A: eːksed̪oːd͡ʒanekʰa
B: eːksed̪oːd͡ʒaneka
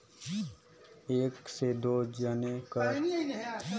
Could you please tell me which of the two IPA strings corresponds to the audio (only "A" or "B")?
B